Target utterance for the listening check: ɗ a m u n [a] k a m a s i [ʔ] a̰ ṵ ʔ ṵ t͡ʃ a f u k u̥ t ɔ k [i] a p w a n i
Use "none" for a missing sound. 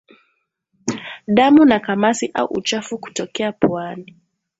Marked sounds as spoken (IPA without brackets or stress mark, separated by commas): a, ʔ, ɛ